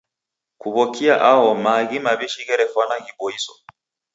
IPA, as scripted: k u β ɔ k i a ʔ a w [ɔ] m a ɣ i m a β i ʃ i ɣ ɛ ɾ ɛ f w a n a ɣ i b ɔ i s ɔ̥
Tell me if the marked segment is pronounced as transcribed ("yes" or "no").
yes